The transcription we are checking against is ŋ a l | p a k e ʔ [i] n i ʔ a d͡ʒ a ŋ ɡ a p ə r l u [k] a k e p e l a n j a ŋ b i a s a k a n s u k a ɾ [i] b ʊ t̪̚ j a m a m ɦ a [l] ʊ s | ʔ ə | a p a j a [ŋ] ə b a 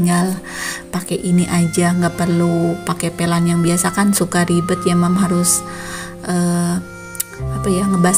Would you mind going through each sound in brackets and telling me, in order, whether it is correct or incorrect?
correct, incorrect: p, correct, incorrect: ɾ, correct

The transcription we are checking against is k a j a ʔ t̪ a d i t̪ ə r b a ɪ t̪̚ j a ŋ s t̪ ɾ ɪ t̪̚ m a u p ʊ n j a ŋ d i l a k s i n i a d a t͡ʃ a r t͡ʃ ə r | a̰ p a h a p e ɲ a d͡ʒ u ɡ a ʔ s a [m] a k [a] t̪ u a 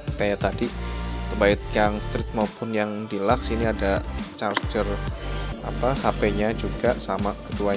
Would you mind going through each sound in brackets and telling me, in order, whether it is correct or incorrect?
correct, incorrect: ə

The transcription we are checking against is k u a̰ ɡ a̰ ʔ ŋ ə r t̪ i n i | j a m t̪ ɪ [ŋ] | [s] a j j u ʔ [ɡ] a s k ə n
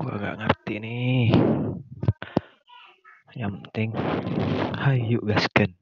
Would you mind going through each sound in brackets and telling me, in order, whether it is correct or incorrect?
correct, incorrect: h, correct

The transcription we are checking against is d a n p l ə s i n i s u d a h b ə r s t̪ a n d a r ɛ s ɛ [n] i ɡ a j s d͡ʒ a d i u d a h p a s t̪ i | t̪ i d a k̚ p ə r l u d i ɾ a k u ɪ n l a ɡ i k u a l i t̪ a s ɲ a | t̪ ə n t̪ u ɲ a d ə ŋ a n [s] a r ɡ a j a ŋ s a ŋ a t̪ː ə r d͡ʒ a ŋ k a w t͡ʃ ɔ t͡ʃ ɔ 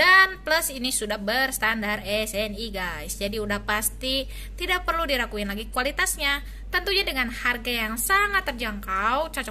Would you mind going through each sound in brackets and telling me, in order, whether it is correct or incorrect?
correct, incorrect: h

